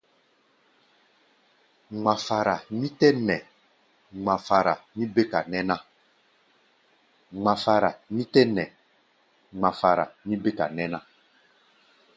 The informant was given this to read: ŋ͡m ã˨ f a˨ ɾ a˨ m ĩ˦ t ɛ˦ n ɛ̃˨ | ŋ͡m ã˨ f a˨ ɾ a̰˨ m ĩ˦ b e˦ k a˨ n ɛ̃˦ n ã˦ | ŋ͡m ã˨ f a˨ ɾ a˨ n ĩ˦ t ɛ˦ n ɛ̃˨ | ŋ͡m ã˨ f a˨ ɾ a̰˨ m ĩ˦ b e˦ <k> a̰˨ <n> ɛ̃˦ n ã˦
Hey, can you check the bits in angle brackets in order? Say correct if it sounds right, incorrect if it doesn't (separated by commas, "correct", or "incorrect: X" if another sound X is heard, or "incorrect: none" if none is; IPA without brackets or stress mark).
correct, correct